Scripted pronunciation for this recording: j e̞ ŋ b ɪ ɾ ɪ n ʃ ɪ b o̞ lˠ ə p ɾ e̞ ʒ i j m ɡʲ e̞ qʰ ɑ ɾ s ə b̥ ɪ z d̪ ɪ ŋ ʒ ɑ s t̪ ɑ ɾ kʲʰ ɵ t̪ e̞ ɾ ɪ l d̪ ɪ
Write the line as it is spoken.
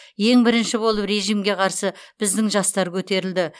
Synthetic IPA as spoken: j e̞ ŋ b ɪ ɾ ɪ n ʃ ɪ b o̞ lˠ ə p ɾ e̞ ʒ i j m ɡʲ e̞ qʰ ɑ ɾ s ə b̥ ɪ z d̪ ɪ ŋ ʒ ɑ s t̪ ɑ ɾ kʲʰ ɵ t̪ e̞ ɾ ɪ l d̪ ɪ